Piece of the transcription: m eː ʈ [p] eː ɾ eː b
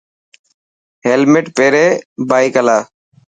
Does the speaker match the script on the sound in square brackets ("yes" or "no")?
yes